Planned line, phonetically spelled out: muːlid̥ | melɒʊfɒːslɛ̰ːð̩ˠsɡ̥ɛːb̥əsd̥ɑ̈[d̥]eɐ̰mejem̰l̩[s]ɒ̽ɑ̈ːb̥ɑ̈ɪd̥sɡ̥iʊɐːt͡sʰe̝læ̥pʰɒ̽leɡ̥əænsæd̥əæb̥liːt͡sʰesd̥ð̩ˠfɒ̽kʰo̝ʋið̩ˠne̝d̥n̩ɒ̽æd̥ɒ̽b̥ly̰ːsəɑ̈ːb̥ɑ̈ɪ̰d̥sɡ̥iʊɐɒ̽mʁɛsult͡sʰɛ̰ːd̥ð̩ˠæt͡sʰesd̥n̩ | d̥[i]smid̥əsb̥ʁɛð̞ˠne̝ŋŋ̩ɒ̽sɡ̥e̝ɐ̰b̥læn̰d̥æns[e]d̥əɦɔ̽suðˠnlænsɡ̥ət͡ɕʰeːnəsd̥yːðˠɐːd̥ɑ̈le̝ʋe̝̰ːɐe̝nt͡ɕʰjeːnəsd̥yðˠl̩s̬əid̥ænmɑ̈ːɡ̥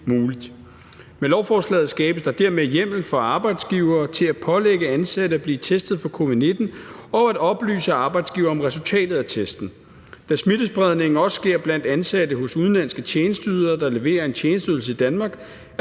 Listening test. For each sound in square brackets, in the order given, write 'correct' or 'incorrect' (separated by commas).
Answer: correct, incorrect, incorrect, incorrect